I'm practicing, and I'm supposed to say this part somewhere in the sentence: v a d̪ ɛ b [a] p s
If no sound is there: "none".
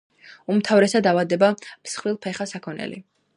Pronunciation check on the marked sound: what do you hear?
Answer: a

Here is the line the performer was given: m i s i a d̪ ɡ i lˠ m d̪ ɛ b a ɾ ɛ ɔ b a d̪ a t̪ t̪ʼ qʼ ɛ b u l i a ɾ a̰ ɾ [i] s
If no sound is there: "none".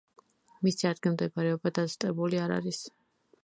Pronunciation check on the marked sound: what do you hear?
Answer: i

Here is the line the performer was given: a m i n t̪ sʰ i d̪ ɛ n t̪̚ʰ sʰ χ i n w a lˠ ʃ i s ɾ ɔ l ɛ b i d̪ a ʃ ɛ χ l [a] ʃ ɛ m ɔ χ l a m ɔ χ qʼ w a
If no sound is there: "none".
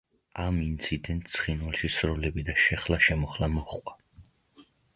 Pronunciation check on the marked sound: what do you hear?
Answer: a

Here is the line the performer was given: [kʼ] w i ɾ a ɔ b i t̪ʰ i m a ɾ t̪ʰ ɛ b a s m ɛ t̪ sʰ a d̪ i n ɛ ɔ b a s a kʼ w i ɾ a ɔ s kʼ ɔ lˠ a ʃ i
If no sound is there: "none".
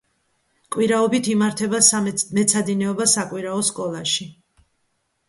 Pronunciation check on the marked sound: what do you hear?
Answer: kʼ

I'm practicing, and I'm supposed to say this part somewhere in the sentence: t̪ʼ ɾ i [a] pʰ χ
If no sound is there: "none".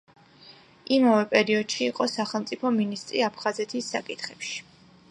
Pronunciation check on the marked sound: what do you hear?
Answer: a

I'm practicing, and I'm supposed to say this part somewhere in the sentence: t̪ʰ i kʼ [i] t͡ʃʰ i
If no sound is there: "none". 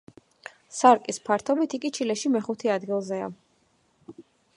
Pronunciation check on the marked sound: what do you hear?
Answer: i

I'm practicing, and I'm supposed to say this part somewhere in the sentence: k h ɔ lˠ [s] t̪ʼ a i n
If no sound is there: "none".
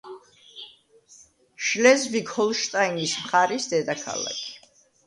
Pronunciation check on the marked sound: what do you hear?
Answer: ʃ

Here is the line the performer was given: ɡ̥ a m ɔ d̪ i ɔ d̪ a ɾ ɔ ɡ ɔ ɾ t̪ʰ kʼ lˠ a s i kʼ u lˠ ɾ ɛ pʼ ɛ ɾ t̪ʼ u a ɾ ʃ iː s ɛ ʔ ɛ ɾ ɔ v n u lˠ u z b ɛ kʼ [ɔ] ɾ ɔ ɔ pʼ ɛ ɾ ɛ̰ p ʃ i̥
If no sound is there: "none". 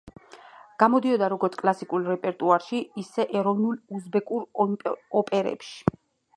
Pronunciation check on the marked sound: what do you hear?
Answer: u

